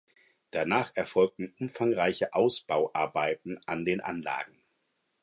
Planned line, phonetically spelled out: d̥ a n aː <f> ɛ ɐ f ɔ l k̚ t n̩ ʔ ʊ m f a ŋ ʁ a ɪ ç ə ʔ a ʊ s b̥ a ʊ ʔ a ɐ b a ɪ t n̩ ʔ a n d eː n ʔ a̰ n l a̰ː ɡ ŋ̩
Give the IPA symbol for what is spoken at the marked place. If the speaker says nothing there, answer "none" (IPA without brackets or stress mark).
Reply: χ